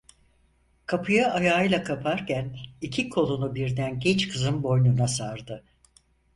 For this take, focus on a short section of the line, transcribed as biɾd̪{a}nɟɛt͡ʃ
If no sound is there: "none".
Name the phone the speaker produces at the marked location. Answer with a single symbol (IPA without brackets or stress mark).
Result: æ